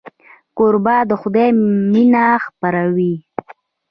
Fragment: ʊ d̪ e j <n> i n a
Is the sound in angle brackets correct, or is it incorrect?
incorrect: m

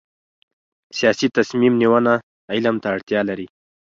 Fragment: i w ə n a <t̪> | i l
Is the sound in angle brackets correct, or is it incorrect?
incorrect: none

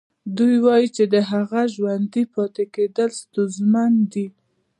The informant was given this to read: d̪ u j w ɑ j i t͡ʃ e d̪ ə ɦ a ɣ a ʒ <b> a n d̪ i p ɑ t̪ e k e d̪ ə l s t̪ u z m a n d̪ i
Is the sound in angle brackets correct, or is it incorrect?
incorrect: w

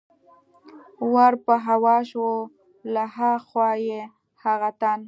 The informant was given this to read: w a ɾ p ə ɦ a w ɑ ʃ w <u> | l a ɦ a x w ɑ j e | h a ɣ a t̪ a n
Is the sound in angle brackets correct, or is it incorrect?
incorrect: o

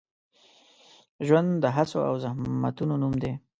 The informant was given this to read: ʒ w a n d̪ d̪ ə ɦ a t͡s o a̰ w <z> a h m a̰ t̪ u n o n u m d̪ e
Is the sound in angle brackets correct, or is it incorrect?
correct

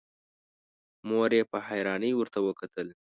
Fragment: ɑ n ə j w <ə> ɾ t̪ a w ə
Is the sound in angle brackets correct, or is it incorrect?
correct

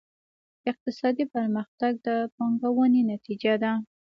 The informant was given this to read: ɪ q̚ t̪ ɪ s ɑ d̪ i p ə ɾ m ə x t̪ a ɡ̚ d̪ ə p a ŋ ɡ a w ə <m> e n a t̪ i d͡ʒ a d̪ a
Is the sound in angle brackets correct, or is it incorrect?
incorrect: n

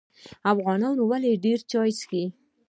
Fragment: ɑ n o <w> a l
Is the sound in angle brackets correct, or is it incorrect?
correct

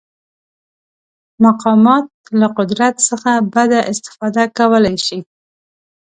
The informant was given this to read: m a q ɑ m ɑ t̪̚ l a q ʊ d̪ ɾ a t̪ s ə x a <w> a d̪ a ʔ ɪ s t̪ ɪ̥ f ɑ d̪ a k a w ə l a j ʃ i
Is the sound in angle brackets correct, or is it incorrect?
incorrect: b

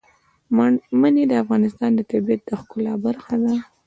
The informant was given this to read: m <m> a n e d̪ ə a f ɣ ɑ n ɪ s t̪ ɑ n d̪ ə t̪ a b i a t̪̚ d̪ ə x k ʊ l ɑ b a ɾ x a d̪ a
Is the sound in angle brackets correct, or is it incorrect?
correct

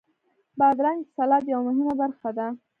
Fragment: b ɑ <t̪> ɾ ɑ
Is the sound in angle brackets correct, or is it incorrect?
incorrect: d̪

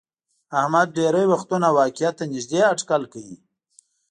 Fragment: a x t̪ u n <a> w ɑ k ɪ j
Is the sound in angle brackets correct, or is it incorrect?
correct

